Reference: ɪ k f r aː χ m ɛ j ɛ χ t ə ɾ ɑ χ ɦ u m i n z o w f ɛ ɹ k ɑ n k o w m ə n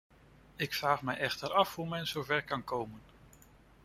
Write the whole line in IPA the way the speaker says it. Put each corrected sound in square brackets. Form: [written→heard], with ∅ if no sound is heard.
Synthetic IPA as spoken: ɪ k f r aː χ m ɛ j ɛ χ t ə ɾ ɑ [χ→f] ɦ u m [i→ɛ] n z o w [f→v] ɛ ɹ k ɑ n k o w m ə n